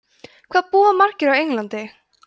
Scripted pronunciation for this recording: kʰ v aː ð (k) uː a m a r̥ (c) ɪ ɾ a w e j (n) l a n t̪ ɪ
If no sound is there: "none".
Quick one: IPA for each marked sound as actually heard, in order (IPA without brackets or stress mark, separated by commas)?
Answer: p, c, ŋ